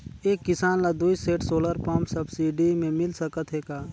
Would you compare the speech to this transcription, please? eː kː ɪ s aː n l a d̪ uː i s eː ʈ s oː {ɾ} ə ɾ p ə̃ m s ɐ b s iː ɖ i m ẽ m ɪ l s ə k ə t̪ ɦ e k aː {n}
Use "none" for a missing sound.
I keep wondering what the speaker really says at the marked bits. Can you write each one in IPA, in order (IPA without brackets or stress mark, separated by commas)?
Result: l, none